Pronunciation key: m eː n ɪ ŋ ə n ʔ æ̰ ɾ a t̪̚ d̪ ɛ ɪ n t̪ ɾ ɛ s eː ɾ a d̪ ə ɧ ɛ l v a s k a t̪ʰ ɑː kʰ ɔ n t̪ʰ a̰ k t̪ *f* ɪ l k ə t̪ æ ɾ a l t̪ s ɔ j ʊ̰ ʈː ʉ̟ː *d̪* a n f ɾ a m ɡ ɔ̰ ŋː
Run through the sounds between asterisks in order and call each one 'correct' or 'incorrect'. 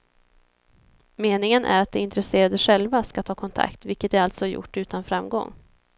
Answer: incorrect, incorrect

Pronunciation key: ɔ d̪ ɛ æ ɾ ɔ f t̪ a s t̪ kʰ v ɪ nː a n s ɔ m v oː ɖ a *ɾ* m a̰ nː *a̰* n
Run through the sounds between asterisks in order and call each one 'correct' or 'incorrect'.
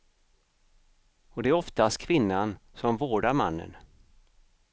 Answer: correct, incorrect

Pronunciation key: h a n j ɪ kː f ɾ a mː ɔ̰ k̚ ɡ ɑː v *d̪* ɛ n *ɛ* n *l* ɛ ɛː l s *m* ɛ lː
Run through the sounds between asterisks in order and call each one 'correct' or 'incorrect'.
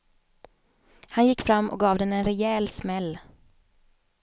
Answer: correct, correct, incorrect, correct

